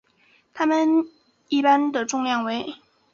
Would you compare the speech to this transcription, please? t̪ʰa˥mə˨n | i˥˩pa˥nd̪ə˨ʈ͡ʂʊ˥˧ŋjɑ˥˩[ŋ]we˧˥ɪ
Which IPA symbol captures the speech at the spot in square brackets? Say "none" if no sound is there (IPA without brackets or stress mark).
ŋ